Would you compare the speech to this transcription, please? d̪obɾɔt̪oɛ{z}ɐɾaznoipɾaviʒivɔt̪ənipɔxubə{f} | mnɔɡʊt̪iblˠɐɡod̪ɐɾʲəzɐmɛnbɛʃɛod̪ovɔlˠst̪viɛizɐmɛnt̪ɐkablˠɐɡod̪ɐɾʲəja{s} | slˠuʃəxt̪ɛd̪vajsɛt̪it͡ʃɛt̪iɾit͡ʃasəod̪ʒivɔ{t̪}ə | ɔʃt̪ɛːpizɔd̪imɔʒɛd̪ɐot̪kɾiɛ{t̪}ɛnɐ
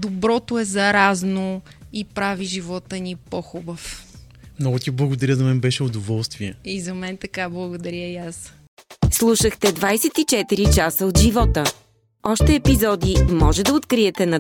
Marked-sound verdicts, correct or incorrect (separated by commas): correct, correct, correct, correct, correct